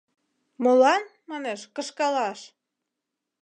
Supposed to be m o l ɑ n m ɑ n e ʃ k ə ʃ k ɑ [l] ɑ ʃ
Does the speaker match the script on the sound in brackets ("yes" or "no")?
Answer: yes